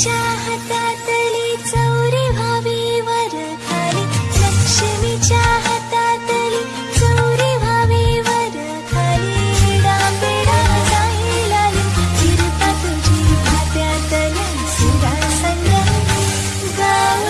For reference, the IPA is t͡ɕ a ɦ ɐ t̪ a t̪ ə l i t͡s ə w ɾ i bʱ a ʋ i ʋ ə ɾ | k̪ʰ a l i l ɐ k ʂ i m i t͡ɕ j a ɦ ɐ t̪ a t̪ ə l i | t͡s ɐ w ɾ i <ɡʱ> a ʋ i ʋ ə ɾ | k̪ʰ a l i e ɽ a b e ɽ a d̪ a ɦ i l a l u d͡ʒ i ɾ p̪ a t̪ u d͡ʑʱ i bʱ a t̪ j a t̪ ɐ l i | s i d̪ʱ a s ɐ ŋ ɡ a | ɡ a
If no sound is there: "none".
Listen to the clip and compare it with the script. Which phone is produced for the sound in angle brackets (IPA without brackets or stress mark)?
bʱ